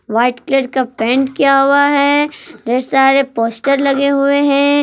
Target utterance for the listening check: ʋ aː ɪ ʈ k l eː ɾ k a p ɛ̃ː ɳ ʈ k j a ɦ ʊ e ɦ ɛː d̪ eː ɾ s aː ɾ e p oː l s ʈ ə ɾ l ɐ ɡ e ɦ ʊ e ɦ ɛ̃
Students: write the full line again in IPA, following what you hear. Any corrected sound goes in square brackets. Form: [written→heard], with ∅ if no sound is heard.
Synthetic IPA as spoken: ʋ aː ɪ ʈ k l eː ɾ k a p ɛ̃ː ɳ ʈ k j a ɦ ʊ [e→a] ɦ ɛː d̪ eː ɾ s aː ɾ e p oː [l→∅] s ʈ ə ɾ l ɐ ɡ e ɦ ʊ e ɦ ɛ̃